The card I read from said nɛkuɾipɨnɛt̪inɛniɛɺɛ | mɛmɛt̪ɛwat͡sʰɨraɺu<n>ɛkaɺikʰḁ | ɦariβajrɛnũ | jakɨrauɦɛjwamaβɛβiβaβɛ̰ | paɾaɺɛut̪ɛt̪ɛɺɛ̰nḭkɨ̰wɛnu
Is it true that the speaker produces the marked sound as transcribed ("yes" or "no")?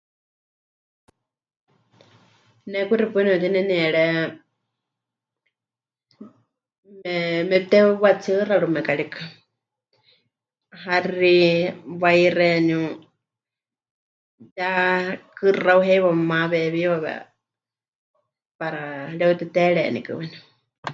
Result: no